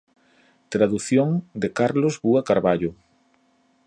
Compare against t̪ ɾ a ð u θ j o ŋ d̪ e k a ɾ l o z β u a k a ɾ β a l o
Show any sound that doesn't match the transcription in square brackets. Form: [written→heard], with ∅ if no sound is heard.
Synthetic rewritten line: t̪ ɾ a ð u θ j o ŋ d̪ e k a ɾ l o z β u a k a ɾ β a [l→ʎ] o